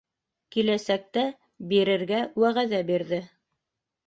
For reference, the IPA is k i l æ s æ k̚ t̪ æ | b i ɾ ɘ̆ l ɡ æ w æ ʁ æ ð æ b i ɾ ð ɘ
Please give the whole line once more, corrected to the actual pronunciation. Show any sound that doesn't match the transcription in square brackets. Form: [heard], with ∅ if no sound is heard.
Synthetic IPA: k i l æ s æ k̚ t̪ æ | b i ɾ ɘ̆ [ɾ] ɡ æ w æ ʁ æ ð æ b i ɾ ð ɘ